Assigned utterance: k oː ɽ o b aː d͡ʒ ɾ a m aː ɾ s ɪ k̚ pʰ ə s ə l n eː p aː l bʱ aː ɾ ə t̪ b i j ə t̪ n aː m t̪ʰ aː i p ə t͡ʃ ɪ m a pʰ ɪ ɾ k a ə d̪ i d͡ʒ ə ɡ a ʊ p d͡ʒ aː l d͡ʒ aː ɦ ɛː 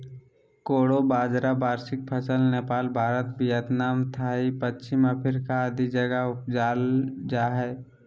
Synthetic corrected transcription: k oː ɽ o b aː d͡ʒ ɾ a b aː ɾ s ɪ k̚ pʰ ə s ə l n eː p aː l bʱ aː ɾ ə t̪ b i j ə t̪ n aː m t̪ʰ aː i p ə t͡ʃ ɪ m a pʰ ɪ ɾ k a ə d̪ i d͡ʒ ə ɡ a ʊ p d͡ʒ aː l d͡ʒ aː ɦ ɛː